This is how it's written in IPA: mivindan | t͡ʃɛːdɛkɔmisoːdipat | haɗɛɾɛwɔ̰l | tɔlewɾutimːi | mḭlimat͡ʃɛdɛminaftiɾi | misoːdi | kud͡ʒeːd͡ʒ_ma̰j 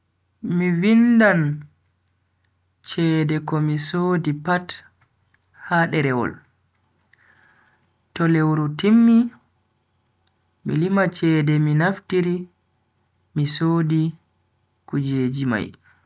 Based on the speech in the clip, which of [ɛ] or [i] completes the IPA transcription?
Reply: i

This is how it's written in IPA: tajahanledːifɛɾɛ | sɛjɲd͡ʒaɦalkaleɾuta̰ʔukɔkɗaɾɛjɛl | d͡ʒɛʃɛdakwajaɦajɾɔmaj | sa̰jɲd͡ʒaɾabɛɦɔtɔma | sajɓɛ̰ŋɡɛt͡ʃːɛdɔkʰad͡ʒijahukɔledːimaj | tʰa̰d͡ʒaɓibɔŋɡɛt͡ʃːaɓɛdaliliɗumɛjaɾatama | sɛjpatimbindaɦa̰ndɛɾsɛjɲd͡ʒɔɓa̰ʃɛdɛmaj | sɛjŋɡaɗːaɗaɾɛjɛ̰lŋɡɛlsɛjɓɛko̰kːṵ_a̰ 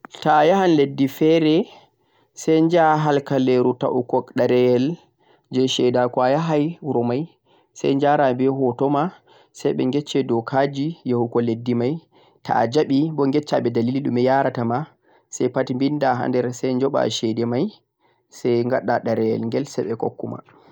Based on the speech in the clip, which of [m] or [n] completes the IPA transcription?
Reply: m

